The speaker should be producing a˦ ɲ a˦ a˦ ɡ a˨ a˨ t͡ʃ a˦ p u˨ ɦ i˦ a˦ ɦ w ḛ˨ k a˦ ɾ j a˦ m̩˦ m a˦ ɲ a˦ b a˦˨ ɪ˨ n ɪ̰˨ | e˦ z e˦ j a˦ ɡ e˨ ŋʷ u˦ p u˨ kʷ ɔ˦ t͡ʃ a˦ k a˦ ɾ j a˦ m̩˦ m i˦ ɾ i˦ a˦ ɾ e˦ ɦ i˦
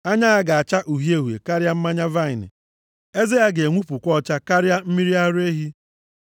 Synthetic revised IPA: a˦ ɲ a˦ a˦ ɡ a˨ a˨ t͡ʃ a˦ ʔ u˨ ɦ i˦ e˦ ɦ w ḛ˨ k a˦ ɾ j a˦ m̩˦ m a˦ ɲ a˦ v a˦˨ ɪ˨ n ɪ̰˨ | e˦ z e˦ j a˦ ɡ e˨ ŋʷ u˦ p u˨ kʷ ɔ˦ t͡ʃ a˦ k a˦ ɾ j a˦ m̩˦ m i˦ ɾ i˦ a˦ ɾ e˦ ɦ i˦